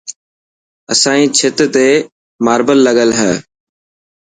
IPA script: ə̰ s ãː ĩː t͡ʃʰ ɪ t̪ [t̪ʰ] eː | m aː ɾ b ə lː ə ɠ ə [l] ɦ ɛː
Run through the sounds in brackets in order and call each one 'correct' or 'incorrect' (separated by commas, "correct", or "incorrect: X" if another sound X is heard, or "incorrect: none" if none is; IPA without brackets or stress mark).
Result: incorrect: t̪, correct